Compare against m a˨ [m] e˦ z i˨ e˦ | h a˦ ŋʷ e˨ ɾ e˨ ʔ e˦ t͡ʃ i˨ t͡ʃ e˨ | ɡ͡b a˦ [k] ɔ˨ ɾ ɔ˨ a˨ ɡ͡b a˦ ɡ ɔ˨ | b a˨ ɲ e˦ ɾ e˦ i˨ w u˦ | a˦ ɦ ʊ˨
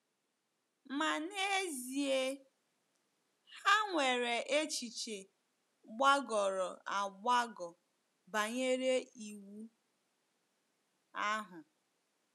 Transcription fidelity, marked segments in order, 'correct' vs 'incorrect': incorrect, incorrect

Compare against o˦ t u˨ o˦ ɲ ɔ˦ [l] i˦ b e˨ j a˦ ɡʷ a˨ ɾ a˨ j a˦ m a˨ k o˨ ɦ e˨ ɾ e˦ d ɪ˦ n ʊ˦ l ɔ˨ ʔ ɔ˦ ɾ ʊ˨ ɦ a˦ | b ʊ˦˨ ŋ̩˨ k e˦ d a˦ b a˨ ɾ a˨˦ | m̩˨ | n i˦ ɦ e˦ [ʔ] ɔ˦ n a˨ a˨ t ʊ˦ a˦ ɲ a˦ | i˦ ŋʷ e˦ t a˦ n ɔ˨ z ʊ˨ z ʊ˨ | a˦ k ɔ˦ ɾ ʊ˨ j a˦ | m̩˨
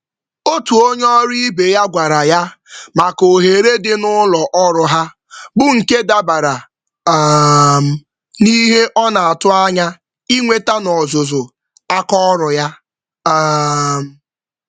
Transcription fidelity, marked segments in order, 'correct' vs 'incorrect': incorrect, correct

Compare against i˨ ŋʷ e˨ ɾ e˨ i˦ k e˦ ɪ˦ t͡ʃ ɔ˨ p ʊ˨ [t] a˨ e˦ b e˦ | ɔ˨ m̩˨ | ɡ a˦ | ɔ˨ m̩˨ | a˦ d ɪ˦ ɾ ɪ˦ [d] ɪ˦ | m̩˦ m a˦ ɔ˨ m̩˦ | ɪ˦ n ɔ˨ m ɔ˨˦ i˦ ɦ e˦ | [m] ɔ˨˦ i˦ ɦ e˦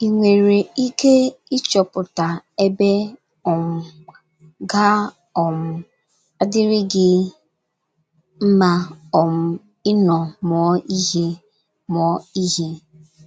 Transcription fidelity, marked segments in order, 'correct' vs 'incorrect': correct, incorrect, correct

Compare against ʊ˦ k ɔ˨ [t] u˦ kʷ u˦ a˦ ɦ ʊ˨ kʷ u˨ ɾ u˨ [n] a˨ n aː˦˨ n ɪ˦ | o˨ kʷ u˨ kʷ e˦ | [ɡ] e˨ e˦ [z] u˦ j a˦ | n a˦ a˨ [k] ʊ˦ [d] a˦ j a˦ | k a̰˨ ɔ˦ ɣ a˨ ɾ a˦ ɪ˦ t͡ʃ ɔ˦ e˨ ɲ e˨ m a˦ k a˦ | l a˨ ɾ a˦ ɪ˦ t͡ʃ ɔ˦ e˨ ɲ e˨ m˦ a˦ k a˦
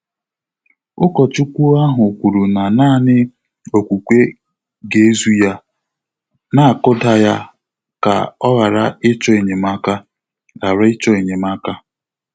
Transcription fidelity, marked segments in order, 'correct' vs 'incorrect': incorrect, correct, correct, correct, correct, correct

